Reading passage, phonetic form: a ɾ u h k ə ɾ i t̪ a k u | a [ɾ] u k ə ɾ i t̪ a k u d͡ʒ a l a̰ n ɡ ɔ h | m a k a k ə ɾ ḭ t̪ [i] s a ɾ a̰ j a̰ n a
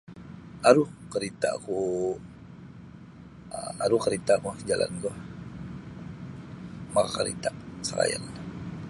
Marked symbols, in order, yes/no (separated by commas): yes, no